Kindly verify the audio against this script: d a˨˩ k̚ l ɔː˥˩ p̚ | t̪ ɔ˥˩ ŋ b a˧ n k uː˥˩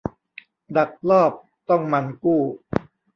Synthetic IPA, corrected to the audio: d a˨˩ k̚ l ɔː˥˩ p̚ | t̪ ɔ˥˩ ŋ m a˧ n k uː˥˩